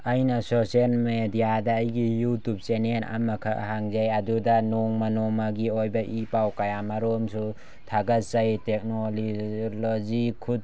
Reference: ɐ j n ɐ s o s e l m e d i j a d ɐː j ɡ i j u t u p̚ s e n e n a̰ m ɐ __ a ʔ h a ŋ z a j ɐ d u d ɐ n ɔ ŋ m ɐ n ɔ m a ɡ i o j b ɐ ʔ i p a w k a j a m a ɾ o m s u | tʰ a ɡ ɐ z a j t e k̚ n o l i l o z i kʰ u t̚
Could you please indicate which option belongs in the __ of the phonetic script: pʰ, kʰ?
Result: kʰ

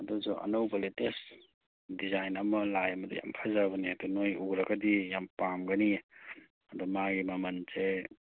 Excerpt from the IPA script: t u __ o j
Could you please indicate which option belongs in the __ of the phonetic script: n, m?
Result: n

